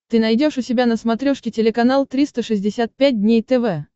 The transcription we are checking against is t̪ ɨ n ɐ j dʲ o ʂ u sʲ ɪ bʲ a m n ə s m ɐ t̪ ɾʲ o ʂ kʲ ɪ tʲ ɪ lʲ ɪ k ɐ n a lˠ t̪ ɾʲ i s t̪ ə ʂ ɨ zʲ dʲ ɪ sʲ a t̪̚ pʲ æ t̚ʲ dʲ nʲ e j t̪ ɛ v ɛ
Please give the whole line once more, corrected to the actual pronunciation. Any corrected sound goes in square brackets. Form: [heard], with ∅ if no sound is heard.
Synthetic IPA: t̪ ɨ n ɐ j dʲ o ʂ [ʊ] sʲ ɪ bʲ a [∅] n ə s m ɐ t̪ ɾʲ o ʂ kʲ ɪ tʲ ɪ lʲ ɪ k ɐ n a lˠ t̪ ɾʲ i s t̪ ə ʂ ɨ zʲ dʲ ɪ sʲ a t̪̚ pʲ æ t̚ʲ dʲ nʲ e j t̪ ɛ v ɛ